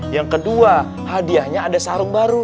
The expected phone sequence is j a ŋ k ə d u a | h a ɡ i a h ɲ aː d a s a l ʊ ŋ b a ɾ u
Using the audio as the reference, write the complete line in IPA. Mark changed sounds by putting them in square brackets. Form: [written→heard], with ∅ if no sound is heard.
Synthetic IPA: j a ŋ k ə d u a | h a [ɡ→d] i a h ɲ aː d a s a [l→ɾ] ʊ ŋ b a ɾ u